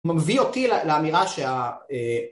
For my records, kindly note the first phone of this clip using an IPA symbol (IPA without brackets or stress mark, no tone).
m